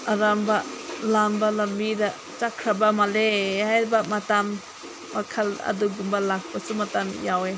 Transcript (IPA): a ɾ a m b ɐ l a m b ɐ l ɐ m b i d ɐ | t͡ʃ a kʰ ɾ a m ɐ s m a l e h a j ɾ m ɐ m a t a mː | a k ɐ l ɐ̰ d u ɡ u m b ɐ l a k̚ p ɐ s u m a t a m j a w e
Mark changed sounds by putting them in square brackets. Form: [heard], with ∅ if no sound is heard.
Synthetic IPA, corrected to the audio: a ɾ a m b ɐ l a m b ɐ l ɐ m b i d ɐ | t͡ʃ a kʰ ɾ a [b] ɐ [∅] m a l e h a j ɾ [b] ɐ m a t a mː | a [kʰ] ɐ l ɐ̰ d u ɡ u m b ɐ l a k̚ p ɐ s u m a t a m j a w e